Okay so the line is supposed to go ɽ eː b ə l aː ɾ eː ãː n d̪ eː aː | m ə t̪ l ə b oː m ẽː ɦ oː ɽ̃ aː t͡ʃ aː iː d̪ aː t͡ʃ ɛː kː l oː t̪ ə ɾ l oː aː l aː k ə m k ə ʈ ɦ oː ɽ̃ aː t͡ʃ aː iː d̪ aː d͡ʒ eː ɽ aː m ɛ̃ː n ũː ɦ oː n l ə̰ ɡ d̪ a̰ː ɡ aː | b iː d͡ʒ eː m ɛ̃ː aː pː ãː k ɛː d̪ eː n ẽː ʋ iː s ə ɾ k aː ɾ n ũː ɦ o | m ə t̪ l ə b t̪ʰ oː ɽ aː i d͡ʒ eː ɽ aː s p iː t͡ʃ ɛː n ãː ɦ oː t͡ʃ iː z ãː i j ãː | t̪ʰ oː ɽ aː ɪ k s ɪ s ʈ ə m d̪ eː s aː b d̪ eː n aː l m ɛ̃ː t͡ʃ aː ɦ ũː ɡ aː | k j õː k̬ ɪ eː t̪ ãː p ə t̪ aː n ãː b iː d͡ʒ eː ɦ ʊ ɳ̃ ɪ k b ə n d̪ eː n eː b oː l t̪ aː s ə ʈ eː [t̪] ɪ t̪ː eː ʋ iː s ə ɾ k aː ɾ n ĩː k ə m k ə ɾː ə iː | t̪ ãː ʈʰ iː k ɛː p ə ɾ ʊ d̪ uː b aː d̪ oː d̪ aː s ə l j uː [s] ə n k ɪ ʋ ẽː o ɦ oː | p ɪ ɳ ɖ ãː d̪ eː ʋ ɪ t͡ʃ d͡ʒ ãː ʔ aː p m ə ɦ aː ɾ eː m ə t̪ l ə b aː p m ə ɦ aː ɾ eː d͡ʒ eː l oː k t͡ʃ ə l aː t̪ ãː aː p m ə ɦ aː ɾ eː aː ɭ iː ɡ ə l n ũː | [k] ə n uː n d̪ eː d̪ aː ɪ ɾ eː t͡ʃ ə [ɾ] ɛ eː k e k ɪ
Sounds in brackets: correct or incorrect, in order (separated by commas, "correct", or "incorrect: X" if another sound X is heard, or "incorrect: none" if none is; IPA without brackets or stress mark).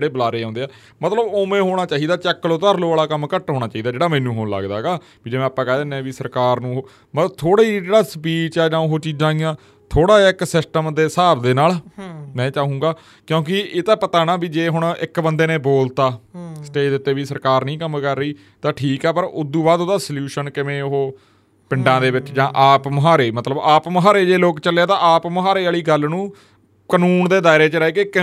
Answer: incorrect: d̪, incorrect: ʃ, correct, correct